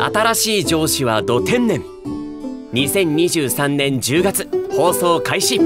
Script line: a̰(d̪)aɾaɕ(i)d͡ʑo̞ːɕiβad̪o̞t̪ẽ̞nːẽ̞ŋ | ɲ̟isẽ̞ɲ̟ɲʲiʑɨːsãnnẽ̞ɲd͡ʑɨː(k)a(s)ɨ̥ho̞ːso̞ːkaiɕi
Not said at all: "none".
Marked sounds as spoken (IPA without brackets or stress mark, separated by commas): t̪, iː, ɡ, t͡s